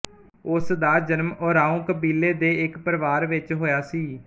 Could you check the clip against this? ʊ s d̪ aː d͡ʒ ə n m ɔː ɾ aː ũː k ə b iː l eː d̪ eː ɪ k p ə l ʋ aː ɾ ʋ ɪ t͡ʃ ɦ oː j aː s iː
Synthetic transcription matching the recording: ʊ s d̪ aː d͡ʒ ə n m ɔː ɾ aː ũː k ə b iː l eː d̪ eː ɪ k p ə ɾ ʋ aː ɾ ʋ ɪ t͡ʃ ɦ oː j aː s iː